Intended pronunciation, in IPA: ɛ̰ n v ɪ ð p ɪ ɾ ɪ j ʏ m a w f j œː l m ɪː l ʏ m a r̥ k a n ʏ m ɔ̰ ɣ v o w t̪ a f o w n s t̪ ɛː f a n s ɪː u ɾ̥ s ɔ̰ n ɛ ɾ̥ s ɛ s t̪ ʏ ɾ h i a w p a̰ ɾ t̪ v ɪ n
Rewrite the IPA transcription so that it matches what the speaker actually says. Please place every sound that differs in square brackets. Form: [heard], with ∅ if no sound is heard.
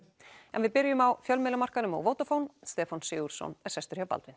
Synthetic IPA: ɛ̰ n v ɪ ð p ɪ ɾ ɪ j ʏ m a w f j [œ] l m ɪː l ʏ m a r̥ k a n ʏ m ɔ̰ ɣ v o w t̪ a f o w n s t̪ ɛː f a n s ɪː u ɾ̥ s ɔ̰ n ɛ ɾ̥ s ɛ s t̪ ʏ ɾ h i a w p a̰ [l] t̪ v ɪ n